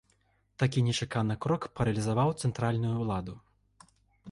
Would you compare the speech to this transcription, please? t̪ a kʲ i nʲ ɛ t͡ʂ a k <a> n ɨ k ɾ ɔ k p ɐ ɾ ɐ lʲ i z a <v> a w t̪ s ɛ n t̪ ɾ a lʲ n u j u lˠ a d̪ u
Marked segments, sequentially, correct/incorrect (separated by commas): correct, correct